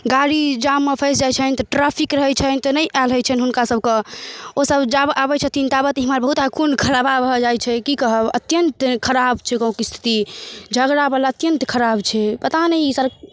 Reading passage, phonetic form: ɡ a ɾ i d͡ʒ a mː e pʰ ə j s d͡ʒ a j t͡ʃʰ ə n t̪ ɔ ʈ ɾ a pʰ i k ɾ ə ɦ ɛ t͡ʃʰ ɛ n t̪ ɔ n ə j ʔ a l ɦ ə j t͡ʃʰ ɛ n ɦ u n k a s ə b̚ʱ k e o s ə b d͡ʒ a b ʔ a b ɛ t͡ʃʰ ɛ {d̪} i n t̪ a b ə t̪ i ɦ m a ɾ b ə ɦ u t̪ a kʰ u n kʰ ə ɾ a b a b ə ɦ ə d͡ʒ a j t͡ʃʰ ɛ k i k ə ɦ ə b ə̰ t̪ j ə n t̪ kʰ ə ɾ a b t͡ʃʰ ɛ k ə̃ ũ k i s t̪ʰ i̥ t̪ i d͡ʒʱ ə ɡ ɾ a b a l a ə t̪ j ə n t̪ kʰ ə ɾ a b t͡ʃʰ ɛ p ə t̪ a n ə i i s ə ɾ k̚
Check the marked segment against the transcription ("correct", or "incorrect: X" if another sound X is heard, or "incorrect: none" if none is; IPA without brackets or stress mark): incorrect: t̪